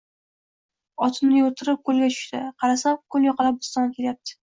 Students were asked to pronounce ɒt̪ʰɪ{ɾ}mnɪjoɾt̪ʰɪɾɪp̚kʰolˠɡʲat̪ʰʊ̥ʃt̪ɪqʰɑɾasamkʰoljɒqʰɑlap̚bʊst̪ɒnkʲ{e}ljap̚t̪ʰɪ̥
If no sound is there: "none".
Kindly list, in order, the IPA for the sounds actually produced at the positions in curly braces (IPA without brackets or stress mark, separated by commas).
none, e